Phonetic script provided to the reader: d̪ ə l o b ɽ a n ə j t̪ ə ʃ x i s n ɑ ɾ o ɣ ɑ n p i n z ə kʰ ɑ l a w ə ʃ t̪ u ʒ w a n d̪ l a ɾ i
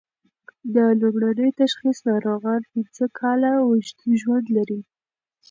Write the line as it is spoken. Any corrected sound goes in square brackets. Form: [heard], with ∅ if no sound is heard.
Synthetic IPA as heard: d̪ ə l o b ɽ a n ə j t̪ [a] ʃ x i s n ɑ ɾ o ɣ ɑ n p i n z ə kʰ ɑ l a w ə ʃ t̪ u ʒ w a n d̪ l a ɾ i